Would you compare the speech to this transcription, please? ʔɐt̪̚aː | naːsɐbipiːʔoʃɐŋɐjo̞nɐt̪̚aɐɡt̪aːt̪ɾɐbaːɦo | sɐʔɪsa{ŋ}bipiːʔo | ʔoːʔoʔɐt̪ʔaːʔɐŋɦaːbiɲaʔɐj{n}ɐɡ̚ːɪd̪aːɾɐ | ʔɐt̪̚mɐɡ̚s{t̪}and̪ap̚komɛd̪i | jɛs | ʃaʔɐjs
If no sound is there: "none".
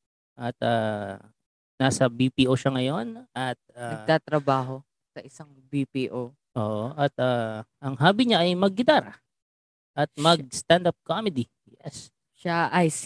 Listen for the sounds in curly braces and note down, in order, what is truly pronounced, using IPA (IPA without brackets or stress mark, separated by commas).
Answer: ŋ, m, t̪